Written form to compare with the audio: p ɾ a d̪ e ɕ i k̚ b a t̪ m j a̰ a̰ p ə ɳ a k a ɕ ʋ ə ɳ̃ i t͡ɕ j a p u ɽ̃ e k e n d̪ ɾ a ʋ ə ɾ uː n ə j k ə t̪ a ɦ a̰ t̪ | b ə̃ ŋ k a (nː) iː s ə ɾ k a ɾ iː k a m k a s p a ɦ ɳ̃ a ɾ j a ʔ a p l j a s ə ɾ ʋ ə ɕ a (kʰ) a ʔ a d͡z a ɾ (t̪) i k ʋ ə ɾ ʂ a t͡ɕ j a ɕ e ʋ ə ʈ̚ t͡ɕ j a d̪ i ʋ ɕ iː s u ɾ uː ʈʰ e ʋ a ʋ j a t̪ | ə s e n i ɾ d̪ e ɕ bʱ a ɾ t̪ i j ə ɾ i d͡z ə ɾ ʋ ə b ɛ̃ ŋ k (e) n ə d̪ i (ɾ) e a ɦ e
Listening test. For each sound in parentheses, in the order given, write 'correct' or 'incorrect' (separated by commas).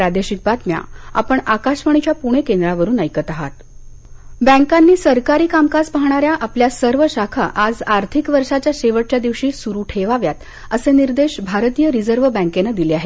correct, correct, incorrect, correct, incorrect